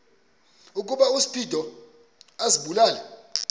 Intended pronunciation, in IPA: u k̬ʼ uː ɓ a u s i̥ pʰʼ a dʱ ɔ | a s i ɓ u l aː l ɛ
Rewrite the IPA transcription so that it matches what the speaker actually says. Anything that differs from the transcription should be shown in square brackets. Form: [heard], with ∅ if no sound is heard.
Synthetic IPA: u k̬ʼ [u] ɓ a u s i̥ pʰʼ [i] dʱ ɔ | a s i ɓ u l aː l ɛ